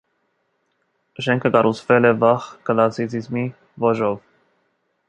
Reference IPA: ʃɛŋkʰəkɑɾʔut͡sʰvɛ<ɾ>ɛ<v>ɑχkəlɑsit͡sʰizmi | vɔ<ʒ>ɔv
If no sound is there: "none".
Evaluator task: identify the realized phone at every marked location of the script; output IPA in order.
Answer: l, v, ʒ

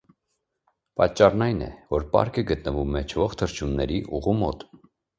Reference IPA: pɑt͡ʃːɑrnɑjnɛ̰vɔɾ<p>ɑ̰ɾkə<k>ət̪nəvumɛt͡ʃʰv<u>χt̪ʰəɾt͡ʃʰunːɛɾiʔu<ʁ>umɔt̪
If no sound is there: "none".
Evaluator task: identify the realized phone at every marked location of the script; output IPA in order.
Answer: p, ɡ, ɔ, ʁ

